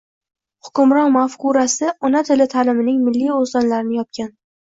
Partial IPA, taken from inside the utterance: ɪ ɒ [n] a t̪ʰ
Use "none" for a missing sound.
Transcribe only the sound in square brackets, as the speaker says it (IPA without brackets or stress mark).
n